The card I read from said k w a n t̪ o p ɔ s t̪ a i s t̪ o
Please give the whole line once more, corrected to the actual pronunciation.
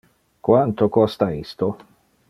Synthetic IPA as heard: k w a n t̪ o k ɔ s t̪ a i s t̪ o